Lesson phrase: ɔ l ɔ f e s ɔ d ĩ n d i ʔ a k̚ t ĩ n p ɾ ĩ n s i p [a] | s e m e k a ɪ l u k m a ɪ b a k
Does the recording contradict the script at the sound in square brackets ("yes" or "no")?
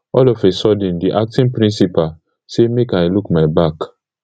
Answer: no